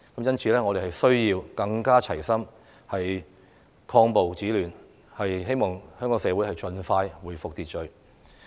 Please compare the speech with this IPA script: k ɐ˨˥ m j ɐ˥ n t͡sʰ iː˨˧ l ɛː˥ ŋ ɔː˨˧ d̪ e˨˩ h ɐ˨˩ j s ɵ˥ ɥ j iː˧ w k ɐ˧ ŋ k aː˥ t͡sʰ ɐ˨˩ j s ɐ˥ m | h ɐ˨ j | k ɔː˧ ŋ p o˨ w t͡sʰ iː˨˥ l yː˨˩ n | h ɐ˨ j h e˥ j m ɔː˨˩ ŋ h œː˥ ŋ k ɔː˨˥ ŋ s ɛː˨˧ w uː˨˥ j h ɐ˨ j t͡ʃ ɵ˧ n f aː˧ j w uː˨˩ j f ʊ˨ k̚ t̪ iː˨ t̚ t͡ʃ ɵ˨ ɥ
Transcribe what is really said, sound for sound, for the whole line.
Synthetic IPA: k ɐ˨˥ m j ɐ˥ n t͡sʰ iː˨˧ l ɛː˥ ŋ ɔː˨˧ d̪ e˨˩ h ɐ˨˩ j s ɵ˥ ɥ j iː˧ w k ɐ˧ ŋ k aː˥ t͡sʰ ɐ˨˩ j s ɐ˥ m | h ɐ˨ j | kʰ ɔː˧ ŋ p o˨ w t͡s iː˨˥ l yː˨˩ n | h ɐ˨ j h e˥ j m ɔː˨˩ ŋ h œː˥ ŋ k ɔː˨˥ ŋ s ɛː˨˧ w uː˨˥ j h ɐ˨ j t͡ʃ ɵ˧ n f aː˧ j w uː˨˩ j f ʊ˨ k̚ t̪ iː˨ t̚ t͡ʃ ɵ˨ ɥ